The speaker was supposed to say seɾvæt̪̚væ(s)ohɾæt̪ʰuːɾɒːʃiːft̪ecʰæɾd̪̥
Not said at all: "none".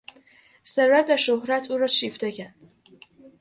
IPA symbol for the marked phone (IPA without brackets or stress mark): ʃ